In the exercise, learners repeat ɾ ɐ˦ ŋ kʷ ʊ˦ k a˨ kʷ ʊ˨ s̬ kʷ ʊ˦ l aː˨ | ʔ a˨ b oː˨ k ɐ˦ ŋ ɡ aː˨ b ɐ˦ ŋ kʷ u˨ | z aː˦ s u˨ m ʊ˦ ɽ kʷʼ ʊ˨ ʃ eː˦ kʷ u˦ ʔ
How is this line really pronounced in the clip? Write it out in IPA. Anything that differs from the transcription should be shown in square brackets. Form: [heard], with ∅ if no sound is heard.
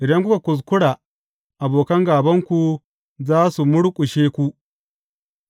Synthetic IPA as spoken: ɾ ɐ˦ ŋ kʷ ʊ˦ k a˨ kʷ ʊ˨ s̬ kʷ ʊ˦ [ɽ] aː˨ | ʔ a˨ b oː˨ k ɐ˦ ŋ ɡ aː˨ b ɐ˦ ŋ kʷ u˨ | z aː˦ s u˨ m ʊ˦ ɽ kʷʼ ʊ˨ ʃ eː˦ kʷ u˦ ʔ